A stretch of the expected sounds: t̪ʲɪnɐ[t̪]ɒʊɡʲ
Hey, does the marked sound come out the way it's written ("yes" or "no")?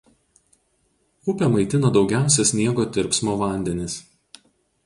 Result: no